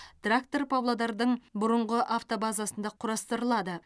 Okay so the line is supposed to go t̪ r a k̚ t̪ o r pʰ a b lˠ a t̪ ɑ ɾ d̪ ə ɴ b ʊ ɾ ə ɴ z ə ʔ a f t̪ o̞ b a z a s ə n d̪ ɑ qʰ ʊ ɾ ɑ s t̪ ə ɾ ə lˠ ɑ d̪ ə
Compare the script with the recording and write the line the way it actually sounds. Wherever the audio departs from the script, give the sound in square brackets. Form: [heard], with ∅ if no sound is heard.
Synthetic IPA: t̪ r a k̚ t̪ o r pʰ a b lˠ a [d̪] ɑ ɾ d̪ ə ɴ b ʊ ɾ ə ɴ [ʁ] ə ʔ a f t̪ o̞ b a z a s ə n d̪ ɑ qʰ ʊ ɾ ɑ s t̪ ə ɾ ə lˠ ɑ d̪ ə